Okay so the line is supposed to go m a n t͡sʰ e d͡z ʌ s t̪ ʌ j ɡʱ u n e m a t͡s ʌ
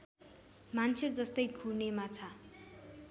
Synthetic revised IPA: m a n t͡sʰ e d͡z ʌ s t̪ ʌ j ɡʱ u n e m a t͡sʰ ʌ